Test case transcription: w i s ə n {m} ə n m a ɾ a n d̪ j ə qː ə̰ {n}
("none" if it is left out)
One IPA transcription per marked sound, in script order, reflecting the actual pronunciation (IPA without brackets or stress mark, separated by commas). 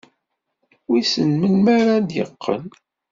m, n